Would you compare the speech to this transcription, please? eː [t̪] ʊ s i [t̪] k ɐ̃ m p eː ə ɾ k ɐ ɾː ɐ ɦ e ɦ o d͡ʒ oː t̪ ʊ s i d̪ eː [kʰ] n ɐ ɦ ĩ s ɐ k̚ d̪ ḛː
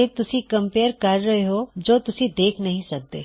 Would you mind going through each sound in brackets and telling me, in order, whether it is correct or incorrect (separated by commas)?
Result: correct, incorrect, correct